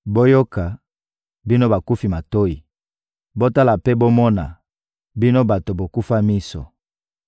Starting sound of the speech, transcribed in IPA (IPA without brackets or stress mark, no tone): b